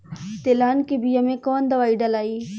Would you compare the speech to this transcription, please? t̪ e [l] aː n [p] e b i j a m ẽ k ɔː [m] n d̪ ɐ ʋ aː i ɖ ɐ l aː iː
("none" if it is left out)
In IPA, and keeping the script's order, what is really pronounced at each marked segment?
l, k, none

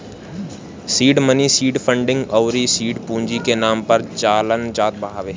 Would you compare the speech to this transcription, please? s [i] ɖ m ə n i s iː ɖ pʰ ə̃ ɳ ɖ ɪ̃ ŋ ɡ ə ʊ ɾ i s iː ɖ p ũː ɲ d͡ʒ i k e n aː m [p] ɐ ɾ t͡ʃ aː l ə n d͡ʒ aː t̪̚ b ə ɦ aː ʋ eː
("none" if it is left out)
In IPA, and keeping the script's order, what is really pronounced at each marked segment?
iː, p

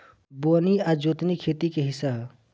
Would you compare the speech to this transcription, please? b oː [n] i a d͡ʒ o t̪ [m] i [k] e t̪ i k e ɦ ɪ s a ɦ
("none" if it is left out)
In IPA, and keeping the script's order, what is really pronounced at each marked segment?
n, n, kʰ

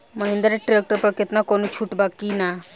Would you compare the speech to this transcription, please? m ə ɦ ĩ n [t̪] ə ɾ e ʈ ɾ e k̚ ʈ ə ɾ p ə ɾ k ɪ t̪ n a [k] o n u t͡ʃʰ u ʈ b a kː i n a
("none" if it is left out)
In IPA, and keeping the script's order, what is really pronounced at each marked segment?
d̪, k

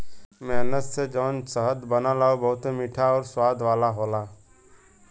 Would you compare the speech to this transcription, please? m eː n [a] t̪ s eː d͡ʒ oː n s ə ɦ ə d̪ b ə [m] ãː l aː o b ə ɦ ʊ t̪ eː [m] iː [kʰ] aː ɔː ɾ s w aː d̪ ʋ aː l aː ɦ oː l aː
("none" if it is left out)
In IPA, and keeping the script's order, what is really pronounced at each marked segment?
ə, n, m, ʈʰ

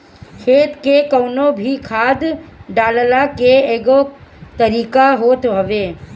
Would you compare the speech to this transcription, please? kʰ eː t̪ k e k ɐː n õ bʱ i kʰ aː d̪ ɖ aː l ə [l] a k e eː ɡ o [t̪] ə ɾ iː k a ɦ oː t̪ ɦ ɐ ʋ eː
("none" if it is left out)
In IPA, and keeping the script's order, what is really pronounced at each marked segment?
l, t̪

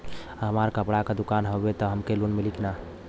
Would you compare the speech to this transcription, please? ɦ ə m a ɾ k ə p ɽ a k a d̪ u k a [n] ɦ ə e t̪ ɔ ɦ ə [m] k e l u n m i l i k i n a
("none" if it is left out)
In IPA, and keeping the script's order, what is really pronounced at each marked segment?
n, m

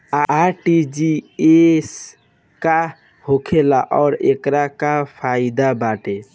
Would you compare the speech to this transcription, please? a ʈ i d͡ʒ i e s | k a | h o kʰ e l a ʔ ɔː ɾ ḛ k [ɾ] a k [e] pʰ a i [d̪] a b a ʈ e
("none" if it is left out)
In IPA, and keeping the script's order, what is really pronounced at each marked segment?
ɾ, a, d̪

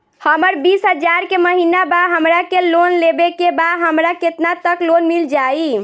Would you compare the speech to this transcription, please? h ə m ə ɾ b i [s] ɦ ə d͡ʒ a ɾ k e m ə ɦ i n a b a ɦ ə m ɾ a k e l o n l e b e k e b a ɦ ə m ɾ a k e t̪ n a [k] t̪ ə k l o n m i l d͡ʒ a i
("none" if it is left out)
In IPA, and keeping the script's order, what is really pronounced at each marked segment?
s, none

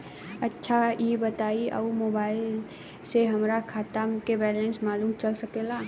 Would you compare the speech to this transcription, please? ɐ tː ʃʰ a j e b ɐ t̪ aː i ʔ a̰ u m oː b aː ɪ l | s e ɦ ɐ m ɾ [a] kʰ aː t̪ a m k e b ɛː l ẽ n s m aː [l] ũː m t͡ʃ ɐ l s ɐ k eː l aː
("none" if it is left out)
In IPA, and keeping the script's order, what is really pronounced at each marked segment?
a, l

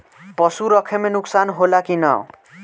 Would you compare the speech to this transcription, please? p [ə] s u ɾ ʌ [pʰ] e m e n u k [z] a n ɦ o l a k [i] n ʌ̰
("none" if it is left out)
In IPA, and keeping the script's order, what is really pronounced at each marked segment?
ʌ, kʰ, s, i

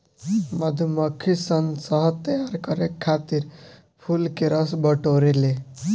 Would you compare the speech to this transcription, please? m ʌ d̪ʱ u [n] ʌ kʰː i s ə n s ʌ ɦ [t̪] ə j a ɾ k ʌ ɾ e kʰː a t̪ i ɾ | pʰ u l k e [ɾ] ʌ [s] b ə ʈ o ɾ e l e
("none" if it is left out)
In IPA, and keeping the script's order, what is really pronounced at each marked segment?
m, t̪, ɾ, s

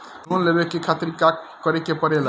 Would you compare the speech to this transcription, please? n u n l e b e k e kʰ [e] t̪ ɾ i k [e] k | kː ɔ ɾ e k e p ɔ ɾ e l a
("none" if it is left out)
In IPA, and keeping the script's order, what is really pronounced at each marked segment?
a, a

